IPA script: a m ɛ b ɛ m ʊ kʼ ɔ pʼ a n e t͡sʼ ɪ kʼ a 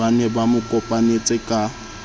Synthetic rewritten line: a n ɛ b a m ʊ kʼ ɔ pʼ a n e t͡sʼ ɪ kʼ a